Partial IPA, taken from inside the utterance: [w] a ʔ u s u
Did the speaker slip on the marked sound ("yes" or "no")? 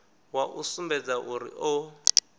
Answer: no